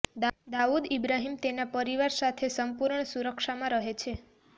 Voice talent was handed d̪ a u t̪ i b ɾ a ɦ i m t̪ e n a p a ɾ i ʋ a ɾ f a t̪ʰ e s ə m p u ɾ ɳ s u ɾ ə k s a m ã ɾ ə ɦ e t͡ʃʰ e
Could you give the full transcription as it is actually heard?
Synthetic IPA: d̪ a u d̪ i b ɾ a ɦ i m t̪ e n a p ə ɾ i ʋ a ɾ s a t̪ʰ e s ə m p u ɾ ɳ s u ɾ ə k ʃ a m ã ɾ ə ɦ e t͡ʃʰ e